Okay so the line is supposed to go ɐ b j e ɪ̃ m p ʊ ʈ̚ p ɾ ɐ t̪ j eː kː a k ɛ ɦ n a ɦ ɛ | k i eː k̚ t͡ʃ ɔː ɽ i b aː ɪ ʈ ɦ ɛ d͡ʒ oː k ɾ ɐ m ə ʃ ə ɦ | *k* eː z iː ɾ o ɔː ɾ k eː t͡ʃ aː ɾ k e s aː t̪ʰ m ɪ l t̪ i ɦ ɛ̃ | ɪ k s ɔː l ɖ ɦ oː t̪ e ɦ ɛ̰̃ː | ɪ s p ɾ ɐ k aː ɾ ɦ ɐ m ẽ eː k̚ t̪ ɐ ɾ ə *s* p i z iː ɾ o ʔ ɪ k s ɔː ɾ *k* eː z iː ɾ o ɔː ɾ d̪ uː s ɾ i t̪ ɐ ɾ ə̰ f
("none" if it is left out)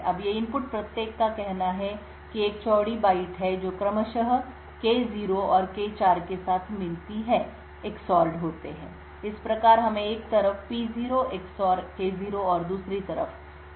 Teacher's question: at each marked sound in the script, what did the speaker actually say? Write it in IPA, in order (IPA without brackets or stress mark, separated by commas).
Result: k, f, k